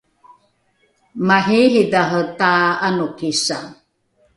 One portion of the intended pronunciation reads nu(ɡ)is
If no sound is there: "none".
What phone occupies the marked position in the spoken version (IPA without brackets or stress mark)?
k